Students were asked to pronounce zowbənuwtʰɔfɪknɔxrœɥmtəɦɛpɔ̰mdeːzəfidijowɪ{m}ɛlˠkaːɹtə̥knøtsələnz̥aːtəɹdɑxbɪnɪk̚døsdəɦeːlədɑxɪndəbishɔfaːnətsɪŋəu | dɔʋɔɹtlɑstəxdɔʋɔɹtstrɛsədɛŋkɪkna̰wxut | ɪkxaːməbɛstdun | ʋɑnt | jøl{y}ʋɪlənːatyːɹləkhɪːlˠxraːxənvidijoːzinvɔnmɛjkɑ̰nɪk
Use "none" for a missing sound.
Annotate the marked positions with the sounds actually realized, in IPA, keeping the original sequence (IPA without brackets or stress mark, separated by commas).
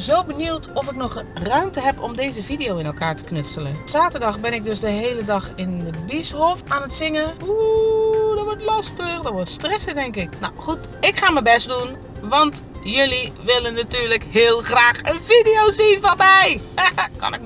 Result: n, i